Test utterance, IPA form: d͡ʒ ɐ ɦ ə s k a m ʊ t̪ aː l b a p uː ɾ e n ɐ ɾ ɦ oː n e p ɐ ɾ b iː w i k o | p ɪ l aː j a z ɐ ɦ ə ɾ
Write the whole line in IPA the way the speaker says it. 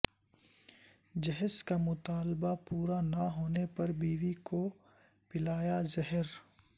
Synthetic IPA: d͡ʒ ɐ ɦ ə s k a m ʊ t̪ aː l b a p uː ɾ a n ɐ ɦ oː n e p ɐ ɾ b iː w i k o | p ɪ l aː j a z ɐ ɦ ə ɾ